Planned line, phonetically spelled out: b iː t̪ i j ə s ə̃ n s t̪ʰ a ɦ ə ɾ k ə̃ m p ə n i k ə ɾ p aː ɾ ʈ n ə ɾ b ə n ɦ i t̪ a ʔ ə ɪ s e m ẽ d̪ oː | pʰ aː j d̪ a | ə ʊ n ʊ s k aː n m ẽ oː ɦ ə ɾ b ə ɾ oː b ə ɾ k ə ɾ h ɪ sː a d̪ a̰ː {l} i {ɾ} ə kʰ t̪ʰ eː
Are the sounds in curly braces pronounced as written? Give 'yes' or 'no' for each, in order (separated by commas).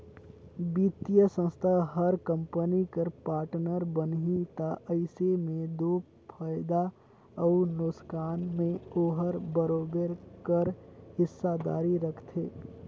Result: no, yes